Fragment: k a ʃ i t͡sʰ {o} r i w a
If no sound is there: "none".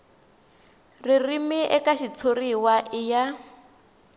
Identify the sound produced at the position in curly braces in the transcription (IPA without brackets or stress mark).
o